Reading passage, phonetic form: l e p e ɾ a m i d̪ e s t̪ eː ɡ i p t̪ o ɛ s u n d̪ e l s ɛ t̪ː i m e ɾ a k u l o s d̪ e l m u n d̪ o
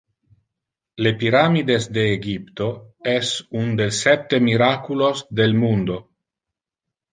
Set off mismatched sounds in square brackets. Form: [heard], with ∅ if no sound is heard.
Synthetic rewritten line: l e p [i] ɾ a m i d̪ e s [d̪] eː ɡ i p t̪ o ɛ s u n d̪ e l s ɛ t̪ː [e] m [i] ɾ a k u l o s d̪ e l m u n d̪ o